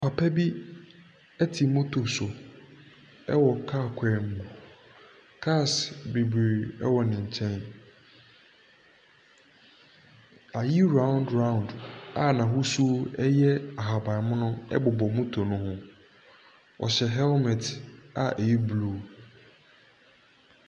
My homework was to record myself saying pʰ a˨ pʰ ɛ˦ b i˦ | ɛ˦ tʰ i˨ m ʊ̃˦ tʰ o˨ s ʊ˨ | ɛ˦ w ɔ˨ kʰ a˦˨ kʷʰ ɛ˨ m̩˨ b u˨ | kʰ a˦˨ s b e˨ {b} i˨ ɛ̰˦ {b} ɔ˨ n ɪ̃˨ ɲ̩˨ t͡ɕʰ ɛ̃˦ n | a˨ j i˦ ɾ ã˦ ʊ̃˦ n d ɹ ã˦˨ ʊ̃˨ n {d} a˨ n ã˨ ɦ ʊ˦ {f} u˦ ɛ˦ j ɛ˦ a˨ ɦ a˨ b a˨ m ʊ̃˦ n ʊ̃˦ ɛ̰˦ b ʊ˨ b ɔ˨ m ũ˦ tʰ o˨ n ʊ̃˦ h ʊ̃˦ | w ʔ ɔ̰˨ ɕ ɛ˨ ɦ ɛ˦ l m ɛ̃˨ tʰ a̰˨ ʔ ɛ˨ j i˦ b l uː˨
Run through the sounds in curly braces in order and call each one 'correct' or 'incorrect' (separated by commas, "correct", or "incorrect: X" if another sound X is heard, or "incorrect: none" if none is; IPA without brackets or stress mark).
correct, incorrect: w, correct, incorrect: s